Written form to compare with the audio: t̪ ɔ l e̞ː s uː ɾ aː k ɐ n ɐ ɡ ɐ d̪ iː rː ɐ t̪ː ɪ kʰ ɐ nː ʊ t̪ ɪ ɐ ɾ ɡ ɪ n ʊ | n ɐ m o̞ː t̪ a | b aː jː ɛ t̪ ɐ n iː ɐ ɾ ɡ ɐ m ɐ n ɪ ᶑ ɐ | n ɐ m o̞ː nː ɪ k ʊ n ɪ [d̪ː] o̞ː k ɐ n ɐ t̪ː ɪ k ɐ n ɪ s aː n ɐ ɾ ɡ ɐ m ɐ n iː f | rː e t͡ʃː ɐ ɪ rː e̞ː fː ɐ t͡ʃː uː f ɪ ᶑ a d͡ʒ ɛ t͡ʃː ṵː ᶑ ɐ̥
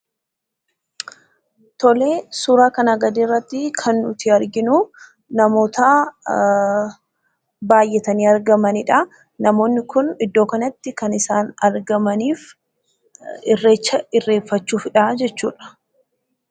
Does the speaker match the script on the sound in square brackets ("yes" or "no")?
yes